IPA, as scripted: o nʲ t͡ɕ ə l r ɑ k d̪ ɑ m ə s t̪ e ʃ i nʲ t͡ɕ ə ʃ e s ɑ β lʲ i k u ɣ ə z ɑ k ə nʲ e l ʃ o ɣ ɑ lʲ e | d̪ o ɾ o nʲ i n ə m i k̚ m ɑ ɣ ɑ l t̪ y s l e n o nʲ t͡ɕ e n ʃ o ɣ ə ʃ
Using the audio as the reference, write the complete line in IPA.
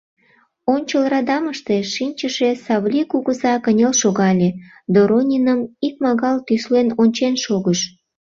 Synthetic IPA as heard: o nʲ t͡ɕ ə l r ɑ d̪ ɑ m ə ʃ t̪ e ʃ i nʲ t͡ɕ ə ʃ e s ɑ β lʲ i k u ɣ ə z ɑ k ə nʲ e l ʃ o ɣ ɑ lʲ e | d̪ o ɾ o nʲ i n ə m i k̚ m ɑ ɣ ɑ l t̪ y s l e n o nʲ t͡ɕ e n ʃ o ɣ ə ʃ